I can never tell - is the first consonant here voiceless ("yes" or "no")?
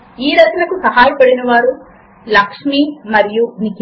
no